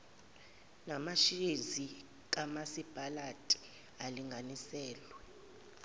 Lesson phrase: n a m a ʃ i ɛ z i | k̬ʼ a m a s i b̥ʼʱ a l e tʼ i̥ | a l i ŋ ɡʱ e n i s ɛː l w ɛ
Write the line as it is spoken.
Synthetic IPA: n a m a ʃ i e z i | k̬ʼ a m a s i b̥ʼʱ a l a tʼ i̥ | a l i ŋ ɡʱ a n i s ɛː l w ɛ